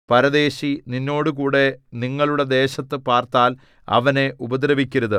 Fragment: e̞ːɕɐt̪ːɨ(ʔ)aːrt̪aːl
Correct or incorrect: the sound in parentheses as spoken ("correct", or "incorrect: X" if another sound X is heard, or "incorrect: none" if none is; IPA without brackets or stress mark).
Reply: incorrect: p